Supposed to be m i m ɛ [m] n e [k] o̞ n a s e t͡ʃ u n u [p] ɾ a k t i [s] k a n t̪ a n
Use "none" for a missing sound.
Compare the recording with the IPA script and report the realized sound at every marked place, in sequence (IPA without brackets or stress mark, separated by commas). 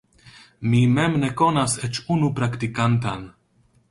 m, k, p, none